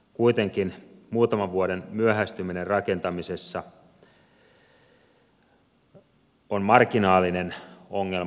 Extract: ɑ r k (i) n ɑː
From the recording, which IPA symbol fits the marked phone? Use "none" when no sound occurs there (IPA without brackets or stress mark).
i